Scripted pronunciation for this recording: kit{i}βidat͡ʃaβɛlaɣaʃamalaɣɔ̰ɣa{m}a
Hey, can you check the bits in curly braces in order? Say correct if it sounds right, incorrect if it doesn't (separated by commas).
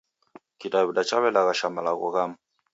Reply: incorrect, correct